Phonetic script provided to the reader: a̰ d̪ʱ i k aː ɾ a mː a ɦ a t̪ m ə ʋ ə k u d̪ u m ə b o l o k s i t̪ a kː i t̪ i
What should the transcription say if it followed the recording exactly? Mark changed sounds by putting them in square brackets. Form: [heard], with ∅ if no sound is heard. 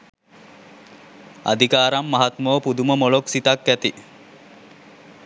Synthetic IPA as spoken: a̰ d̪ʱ i k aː ɾ a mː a ɦ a t̪ m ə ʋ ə [p] u d̪ u m ə [m] o l o k s i t̪ a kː [æ] t̪ i